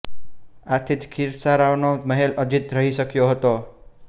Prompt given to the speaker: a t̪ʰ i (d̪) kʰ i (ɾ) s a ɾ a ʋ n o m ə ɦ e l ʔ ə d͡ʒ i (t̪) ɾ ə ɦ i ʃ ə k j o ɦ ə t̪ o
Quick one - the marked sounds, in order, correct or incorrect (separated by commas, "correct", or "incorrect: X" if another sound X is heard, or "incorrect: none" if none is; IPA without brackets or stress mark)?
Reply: incorrect: t̪, correct, correct